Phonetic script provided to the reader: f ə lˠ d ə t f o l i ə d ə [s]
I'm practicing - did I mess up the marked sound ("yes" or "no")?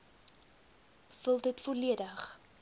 yes